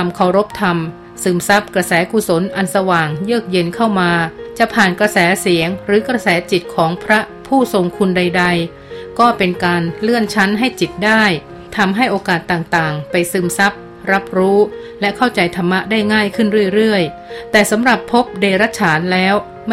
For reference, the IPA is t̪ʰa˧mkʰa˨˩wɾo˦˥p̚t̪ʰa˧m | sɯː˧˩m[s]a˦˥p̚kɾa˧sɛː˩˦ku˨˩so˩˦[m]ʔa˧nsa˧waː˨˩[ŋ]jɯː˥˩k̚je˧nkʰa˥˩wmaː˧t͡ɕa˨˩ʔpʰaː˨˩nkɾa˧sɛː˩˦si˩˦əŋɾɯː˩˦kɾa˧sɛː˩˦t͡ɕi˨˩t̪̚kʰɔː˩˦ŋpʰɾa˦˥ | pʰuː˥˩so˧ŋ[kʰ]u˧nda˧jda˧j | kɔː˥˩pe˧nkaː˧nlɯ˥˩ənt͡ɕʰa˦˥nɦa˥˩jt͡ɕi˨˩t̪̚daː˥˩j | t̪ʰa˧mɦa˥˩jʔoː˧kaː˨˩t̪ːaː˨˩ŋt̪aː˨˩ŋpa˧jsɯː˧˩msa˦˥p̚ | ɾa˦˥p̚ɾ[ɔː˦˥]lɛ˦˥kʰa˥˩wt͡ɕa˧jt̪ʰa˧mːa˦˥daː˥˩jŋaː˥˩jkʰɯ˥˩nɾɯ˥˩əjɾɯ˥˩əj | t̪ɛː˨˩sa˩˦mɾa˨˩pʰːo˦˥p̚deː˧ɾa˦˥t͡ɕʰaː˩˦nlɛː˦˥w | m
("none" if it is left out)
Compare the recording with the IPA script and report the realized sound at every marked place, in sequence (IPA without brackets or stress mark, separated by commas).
s, n, ŋ, kʰ, uː˦˥